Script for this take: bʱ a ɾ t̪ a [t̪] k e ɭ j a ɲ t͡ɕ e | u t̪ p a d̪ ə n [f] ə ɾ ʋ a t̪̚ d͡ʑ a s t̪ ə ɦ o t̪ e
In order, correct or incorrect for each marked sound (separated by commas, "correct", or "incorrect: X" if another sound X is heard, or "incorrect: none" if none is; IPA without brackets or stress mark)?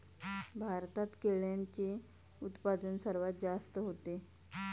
correct, incorrect: s